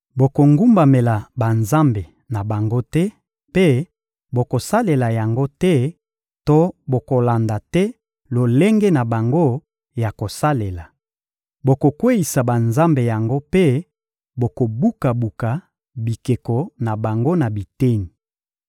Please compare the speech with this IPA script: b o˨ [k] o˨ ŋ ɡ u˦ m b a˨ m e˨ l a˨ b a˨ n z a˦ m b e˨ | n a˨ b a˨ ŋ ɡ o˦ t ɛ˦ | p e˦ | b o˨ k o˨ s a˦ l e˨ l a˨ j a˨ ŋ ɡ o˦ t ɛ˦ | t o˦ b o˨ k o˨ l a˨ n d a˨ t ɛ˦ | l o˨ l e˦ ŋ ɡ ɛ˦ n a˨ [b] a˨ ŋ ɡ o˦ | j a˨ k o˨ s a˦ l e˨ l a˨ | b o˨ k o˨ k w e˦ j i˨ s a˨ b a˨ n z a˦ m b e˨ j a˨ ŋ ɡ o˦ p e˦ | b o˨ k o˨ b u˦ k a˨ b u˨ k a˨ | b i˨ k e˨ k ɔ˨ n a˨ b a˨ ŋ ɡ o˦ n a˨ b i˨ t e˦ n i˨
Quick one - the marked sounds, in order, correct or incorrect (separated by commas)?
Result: correct, correct